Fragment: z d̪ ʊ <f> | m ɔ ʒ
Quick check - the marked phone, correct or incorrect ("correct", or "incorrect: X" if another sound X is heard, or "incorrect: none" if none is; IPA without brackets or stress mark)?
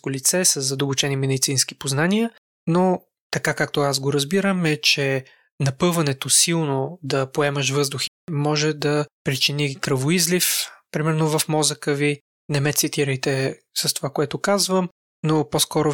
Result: incorrect: x